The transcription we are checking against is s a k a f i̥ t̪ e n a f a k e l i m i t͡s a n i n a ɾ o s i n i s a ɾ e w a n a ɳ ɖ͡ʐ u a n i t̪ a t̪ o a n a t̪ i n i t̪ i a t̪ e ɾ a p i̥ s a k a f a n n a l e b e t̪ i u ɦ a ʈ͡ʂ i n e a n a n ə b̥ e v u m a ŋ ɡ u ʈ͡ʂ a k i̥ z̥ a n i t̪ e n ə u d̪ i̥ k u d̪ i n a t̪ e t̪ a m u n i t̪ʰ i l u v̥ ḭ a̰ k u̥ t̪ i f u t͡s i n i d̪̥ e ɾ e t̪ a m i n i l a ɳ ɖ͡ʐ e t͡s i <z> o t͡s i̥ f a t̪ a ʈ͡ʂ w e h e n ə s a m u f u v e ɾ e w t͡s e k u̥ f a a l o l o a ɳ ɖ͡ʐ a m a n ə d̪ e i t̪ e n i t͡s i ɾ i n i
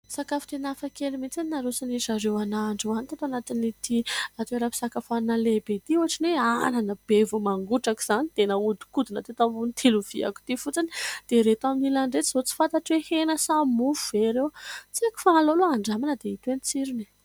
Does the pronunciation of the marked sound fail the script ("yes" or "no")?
no